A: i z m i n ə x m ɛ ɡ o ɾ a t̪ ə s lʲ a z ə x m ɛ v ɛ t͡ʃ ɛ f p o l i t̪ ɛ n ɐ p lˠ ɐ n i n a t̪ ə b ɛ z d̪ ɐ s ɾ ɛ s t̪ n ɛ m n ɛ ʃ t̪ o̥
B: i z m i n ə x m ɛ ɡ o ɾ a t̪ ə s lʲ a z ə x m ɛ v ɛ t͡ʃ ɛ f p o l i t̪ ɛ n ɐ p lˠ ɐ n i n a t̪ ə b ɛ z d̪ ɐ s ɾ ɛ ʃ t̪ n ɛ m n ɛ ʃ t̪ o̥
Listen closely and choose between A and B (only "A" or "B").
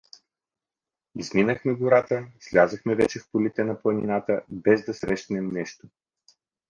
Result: B